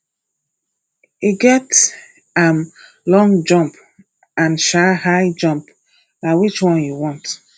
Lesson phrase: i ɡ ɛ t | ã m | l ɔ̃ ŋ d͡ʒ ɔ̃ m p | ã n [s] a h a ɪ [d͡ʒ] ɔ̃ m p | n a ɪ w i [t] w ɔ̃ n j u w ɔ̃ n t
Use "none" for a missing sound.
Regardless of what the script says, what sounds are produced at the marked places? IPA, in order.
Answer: ʃ, d͡ʒ, t͡ʃ

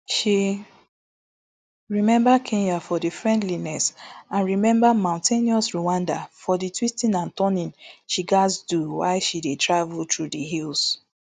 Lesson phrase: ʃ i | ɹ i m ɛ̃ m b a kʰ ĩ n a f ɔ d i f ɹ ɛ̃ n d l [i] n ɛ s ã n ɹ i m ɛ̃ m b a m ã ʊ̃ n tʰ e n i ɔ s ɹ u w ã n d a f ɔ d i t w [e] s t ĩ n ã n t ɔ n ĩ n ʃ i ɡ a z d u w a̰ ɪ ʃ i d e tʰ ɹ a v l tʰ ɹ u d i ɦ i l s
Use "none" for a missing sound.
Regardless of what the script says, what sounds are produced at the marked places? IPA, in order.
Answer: i, i

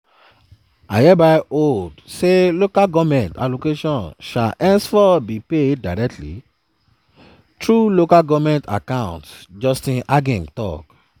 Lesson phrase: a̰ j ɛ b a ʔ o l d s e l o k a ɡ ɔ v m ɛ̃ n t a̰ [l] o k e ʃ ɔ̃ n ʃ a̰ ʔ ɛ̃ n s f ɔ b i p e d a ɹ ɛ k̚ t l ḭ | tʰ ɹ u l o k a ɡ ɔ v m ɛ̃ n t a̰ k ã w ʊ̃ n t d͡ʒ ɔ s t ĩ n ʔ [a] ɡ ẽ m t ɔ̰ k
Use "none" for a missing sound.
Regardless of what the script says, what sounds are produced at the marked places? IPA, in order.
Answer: l, a

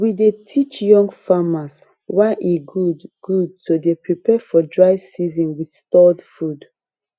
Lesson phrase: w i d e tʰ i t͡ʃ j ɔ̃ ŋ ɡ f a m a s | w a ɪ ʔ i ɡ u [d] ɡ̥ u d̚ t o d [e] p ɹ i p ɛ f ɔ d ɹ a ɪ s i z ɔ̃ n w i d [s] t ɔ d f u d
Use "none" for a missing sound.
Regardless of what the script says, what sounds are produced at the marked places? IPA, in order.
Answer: d, e, s

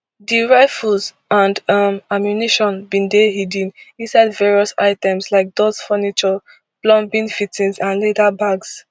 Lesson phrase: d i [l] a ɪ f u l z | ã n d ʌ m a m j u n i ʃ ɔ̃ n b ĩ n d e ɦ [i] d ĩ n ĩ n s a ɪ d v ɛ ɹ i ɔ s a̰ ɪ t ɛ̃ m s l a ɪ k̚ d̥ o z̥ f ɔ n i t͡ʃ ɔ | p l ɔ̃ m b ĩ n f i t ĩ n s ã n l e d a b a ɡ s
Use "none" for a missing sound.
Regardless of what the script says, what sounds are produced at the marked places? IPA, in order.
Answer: ɹ, i

